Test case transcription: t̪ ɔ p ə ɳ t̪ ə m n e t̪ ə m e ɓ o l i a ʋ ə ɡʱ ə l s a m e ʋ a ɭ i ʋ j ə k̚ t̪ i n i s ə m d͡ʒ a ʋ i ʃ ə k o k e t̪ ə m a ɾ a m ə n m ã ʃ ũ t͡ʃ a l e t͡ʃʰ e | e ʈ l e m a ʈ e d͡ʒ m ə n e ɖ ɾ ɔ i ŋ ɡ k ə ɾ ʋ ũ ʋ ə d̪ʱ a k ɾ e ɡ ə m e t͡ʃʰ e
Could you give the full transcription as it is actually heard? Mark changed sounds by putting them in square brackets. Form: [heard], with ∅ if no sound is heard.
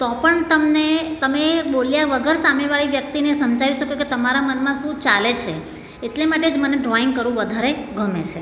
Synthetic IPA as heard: t̪ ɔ p ə ɳ t̪ ə m n e t̪ ə m e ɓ o l [j] a ʋ ə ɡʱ ə [ɾ] s a m e ʋ a ɭ i ʋ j ə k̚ t̪ i n [e] s ə m d͡ʒ a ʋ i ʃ ə k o k e t̪ ə m a ɾ a m ə n m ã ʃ ũ t͡ʃ a l e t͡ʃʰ e | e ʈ l e m a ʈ e d͡ʒ m ə n e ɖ ɾ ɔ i ŋ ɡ k ə ɾ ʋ ũ ʋ ə d̪ʱ a [∅] ɾ e ɡ ə m e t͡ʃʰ e